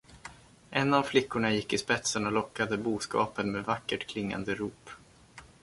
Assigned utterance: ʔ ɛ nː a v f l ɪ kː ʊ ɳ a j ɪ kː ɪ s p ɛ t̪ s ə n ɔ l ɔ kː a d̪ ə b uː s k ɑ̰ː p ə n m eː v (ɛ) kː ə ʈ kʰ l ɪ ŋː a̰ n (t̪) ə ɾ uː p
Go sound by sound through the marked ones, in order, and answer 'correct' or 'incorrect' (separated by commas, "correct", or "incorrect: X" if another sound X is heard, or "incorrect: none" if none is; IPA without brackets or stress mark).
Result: incorrect: a, incorrect: d̪